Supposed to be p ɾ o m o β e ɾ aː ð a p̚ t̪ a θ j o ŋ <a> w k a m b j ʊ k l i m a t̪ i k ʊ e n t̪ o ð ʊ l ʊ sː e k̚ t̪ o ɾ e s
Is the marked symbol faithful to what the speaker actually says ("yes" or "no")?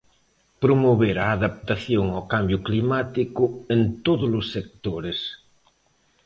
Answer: yes